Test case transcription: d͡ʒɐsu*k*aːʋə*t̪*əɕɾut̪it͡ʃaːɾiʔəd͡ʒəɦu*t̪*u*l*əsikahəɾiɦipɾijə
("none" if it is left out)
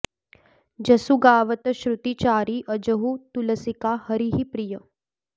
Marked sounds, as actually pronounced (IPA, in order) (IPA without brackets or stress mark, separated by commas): ɡ, t̪, t̪, l